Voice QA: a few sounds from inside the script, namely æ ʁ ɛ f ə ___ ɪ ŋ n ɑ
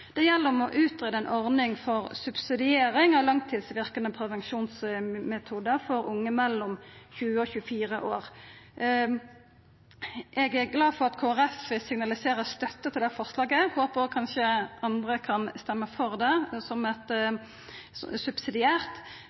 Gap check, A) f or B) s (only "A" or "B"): B